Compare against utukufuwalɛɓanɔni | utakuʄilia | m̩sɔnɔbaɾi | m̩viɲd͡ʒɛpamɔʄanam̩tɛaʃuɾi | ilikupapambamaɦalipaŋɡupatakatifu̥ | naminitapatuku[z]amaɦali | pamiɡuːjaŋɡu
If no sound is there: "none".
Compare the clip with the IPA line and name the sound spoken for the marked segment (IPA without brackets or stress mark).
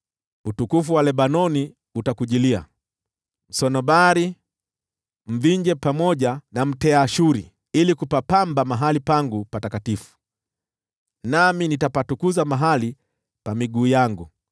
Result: z